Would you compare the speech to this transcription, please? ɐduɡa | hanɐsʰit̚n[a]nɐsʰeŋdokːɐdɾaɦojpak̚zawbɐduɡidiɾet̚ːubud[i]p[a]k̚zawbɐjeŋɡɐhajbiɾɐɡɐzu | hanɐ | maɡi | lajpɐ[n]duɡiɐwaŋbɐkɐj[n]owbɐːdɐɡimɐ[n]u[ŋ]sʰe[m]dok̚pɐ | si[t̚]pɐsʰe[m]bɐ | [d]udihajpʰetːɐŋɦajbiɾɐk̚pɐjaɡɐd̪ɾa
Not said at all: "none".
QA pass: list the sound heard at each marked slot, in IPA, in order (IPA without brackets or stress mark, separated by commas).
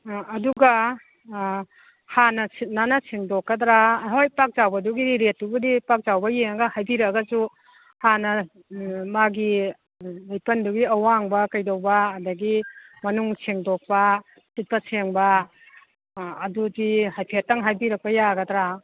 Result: a, i, a, n, d, n, ŋ, ŋ, t̚, ŋ, d